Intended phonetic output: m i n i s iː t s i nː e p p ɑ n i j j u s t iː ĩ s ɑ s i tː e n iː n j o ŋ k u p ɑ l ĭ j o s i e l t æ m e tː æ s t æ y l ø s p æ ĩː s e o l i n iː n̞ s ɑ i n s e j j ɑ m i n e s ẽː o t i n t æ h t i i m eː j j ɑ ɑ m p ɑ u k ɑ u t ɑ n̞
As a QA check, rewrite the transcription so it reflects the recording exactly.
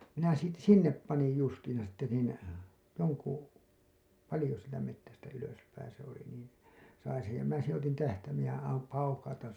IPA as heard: m i n æ s iː t s i nː e p p ɑ n i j j u s t iː ĩ s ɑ s i tː e n iː n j o ŋ k u p ɑ l ĭ j o s i e l t æ m e tː æ s t æ y l ø s p æ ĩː s e o l i n iː n̞ s ɑ i n s e j j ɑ m i n æ s ẽː o t i n t æ h t æ i m eː j j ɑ ɑ m p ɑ u k ɑ u t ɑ n̞